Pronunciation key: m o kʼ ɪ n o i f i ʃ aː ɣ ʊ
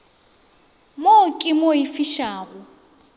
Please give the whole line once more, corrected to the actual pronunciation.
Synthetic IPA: m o kʼ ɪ m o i f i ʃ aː ɣ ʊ